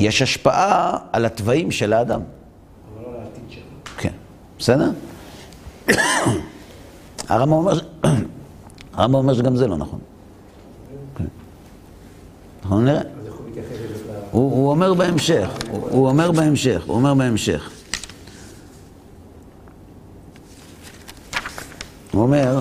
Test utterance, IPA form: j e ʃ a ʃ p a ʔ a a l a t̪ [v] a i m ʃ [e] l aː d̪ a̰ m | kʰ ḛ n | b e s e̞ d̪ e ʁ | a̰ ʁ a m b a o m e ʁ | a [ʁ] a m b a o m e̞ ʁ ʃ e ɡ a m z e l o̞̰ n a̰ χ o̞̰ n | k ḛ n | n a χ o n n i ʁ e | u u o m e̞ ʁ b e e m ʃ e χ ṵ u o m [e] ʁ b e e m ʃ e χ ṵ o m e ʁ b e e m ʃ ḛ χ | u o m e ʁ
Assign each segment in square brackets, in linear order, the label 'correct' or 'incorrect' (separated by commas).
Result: correct, correct, correct, correct